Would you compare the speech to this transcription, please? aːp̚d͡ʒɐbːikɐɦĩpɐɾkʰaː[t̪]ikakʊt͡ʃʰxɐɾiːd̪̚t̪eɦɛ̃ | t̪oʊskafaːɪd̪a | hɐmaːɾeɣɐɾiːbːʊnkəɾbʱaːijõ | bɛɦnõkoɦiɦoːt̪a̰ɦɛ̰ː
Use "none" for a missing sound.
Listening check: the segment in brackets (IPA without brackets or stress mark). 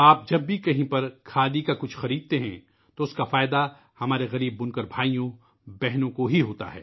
d̪